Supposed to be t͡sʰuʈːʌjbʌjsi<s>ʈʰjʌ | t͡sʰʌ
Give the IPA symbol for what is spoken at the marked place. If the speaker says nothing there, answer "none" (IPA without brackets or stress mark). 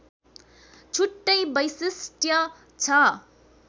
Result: s